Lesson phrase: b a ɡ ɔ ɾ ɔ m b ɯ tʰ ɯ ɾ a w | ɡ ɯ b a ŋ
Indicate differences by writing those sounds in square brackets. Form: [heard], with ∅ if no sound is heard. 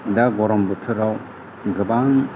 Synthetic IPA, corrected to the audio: [d] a ɡ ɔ ɾ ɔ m b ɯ tʰ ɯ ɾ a w | ɡ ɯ b a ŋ

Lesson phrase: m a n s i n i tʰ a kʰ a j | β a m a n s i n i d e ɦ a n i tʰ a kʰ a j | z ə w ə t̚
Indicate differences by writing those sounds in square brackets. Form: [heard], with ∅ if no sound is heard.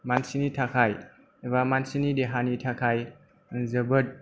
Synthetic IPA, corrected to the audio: m a n s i n i tʰ a kʰ a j | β a m a n s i n i d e ɦ a n i tʰ a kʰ a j | z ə [b] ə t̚

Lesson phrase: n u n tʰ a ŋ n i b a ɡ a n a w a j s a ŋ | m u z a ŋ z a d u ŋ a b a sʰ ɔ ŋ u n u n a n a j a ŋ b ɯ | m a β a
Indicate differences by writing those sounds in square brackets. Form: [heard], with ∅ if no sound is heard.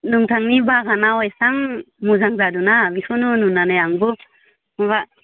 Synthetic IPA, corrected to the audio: n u [ŋ] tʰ a ŋ n i b a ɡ a n a w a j s a ŋ | m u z a ŋ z a d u [n] a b [i] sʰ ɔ [n] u n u n a n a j a ŋ b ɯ | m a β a

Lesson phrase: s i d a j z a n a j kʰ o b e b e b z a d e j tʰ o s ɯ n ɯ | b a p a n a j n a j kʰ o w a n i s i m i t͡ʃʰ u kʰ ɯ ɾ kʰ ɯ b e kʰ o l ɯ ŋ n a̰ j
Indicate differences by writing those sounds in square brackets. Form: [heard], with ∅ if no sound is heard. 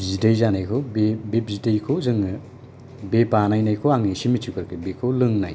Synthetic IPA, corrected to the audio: [z] i d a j z a n a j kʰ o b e b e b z [i] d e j [kʰ] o [z] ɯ [ŋ] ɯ | b [e] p a n a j n a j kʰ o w a [ŋ] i s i m i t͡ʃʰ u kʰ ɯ ɾ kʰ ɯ b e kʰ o l ɯ ŋ n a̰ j

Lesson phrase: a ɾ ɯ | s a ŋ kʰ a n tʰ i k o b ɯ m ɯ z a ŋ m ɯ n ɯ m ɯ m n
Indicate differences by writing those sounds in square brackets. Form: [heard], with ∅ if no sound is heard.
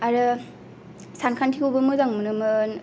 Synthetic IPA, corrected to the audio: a ɾ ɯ | s a [n] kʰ a n tʰ i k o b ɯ m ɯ z a ŋ m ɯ n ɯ m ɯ [∅] n

